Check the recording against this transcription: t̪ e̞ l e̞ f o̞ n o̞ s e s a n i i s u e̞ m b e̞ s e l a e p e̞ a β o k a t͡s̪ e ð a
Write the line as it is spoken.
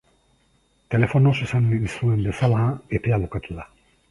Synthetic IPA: t̪ e̞ l e̞ f o̞ n o̞ s e s a n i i s u e̞ m b e̞ s a l a e p e̞ a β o k a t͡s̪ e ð a